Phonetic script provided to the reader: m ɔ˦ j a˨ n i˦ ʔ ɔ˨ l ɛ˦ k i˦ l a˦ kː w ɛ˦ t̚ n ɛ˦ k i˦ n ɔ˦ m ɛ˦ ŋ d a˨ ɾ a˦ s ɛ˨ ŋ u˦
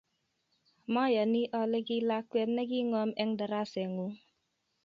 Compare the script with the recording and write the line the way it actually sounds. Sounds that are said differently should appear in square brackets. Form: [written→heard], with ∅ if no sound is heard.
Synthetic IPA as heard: m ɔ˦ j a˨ n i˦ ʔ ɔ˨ l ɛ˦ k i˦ l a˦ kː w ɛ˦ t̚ n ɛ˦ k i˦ [n→ŋ] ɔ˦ m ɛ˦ ŋ d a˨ ɾ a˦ s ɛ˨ ŋ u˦